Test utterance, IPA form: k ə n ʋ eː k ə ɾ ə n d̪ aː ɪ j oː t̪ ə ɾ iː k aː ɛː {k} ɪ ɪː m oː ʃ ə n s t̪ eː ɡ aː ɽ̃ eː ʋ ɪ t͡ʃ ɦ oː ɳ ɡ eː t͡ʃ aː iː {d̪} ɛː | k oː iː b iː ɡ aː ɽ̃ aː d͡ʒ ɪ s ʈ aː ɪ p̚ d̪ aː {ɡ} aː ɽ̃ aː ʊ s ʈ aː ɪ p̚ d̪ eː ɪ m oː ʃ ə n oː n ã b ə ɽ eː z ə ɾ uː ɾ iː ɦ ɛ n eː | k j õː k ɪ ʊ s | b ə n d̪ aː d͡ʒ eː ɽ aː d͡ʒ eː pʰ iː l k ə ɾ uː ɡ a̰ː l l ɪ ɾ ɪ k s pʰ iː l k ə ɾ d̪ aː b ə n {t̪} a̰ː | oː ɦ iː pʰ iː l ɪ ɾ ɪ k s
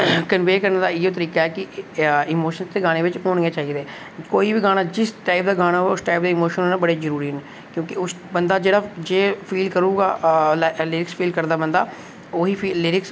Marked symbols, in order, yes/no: yes, yes, yes, no

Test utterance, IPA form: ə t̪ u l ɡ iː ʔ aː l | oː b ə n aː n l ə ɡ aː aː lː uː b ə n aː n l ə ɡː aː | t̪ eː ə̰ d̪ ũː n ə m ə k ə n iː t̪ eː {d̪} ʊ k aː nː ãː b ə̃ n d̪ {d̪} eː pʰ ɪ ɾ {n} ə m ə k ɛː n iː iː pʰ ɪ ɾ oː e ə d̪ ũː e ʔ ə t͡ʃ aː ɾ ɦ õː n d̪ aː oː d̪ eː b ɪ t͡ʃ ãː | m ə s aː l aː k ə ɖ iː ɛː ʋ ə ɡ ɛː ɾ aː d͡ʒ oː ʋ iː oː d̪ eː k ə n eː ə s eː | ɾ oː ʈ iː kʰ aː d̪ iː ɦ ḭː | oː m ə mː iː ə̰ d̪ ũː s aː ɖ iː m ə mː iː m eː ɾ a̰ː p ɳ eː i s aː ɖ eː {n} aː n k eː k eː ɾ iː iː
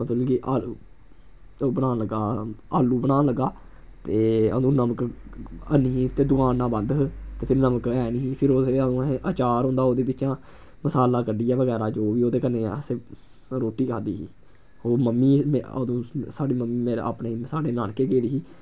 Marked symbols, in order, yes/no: yes, no, yes, yes

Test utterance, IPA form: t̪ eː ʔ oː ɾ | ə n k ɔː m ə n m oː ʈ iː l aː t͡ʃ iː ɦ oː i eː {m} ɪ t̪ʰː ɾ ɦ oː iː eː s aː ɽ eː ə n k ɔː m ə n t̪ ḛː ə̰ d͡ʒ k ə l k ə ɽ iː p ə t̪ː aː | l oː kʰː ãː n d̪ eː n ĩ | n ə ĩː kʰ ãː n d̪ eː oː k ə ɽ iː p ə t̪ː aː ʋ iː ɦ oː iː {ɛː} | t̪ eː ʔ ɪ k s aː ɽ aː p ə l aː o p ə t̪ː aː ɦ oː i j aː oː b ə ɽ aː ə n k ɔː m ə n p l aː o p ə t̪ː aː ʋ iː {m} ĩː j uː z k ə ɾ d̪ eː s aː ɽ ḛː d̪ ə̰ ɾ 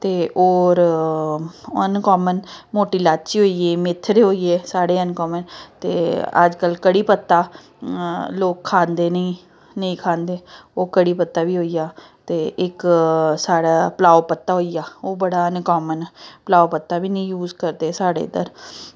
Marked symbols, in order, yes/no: yes, no, no

